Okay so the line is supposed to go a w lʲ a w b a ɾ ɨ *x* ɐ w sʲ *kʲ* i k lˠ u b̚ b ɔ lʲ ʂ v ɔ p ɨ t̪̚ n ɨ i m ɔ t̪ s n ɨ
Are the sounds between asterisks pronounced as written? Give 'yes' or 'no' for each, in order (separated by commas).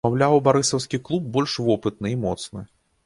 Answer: no, yes